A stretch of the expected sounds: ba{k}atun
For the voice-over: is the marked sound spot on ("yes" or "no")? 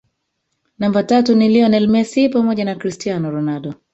no